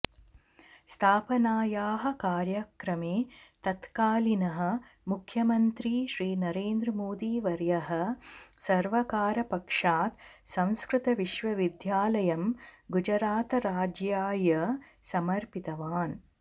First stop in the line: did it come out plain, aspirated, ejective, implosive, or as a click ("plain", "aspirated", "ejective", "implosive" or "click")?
aspirated